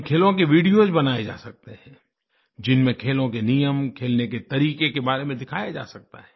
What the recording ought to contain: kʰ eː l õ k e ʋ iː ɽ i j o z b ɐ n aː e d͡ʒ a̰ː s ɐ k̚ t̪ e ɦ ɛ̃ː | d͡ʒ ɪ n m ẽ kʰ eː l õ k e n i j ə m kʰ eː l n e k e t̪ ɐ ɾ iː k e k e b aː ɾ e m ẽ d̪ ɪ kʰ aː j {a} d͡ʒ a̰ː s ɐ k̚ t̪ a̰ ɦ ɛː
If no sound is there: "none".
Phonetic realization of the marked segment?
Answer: a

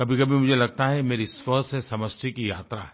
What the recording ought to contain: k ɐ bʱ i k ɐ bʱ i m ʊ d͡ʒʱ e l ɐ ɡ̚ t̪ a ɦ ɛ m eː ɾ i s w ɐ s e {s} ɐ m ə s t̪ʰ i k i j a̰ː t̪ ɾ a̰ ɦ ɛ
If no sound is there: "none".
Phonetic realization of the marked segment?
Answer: s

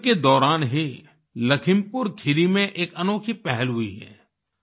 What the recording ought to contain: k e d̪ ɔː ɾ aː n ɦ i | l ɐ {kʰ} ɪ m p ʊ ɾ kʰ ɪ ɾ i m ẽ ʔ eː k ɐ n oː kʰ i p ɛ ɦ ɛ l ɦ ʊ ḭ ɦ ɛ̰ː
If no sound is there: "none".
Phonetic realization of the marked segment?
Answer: kʰ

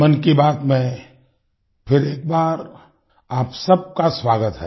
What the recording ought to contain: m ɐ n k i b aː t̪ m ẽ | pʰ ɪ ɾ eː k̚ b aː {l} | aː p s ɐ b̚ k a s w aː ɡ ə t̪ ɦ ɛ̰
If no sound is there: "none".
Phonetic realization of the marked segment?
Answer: ɾ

